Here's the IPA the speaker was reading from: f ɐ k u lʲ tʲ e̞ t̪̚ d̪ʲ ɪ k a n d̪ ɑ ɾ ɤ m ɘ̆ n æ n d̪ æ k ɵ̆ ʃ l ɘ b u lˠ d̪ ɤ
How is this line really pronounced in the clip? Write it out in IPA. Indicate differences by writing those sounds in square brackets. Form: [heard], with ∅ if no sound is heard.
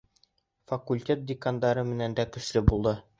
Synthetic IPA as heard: f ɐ k u lʲ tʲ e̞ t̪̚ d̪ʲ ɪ k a n d̪ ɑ ɾ ɤ m ɘ̆ n æ n d̪ æ k ɵ̆ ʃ l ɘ b u lˠ d̪ ɤ